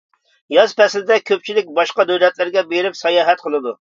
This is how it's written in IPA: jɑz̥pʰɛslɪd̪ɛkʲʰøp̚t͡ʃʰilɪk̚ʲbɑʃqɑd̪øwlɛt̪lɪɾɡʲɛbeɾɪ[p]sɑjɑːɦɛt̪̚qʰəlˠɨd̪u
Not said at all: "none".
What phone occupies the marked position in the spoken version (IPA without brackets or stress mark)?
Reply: p